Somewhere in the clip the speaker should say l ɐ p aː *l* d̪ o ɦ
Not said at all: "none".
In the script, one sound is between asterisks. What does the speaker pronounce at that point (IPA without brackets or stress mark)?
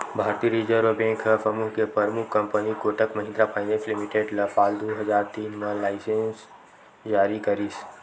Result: l